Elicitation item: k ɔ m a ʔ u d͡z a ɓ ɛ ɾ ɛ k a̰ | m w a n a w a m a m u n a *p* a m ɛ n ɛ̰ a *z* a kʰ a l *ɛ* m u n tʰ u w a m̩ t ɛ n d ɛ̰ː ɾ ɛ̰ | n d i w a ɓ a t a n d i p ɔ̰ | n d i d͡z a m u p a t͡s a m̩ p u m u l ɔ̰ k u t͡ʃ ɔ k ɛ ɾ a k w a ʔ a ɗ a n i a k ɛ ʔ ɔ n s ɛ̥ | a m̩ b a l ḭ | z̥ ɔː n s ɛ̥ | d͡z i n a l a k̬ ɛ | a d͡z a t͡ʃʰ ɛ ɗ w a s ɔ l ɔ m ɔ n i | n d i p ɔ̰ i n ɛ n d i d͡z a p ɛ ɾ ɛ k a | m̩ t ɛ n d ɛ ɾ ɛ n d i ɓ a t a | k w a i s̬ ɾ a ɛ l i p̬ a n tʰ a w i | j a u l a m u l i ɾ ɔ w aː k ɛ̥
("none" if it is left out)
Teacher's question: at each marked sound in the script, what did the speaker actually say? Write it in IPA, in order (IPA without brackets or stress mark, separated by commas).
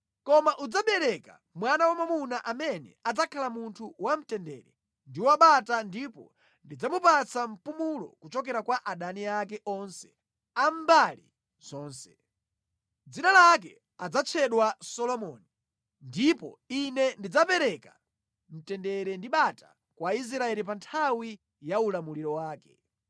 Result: ʔ, d͡z, a